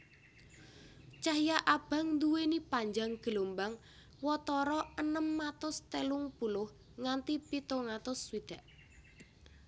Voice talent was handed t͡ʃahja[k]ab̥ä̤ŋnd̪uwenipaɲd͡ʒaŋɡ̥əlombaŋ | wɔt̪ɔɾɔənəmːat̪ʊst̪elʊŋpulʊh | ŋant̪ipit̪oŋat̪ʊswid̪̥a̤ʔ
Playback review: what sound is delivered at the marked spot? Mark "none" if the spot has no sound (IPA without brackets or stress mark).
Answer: ʔ